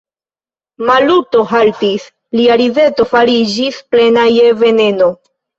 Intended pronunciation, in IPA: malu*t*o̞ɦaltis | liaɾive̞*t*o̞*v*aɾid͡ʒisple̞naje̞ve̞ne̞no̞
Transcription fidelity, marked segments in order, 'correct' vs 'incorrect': correct, correct, incorrect: f

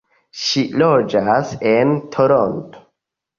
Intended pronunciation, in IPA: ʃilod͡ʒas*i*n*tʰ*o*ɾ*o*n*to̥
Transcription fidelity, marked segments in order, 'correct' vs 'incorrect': incorrect: e, correct, correct, correct

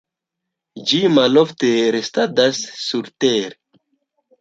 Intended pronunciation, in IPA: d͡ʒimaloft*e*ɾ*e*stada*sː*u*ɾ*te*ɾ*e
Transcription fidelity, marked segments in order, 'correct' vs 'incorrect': correct, correct, correct, correct, correct

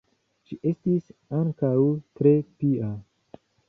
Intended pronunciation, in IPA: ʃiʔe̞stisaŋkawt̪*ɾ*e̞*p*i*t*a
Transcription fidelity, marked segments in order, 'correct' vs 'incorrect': correct, correct, incorrect: none

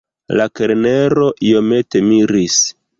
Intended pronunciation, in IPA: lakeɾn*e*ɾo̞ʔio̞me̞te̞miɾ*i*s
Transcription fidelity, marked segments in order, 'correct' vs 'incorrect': correct, correct

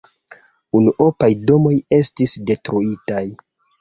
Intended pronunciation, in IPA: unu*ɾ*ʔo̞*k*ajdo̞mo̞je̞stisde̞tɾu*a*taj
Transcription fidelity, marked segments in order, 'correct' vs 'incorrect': incorrect: none, incorrect: p, incorrect: i

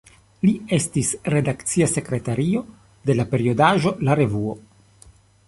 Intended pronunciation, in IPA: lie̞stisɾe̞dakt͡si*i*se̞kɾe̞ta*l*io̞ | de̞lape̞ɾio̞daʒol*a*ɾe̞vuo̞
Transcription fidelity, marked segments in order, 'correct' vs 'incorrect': incorrect: a, incorrect: ɾ, correct

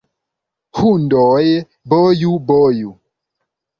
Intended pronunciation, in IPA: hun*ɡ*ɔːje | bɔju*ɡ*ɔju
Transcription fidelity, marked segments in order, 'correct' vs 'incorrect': incorrect: d, incorrect: b

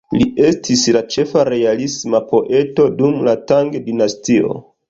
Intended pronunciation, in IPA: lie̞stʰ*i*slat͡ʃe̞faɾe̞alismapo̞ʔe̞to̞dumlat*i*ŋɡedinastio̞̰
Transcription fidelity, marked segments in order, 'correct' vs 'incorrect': correct, incorrect: a

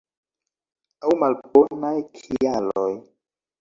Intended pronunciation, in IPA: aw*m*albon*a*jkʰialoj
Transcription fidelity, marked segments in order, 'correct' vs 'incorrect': correct, correct

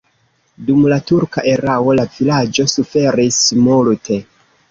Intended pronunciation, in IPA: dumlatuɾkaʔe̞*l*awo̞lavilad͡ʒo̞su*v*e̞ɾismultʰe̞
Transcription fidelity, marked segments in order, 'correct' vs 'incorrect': incorrect: ɾ, incorrect: f

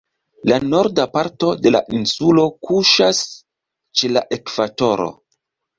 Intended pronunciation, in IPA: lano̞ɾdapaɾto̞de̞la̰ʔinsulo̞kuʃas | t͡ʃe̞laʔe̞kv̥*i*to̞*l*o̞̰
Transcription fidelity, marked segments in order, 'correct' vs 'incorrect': incorrect: a, incorrect: ɾ

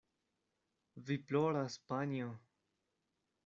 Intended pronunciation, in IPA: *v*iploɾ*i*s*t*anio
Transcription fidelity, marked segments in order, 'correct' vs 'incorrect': correct, incorrect: a, incorrect: p

